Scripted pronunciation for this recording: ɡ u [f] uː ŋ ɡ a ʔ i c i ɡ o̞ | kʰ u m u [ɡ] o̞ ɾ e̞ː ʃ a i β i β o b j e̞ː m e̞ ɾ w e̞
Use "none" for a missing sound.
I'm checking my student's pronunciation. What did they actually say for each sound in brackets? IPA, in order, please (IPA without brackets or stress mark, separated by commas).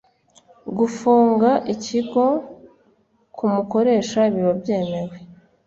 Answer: f, k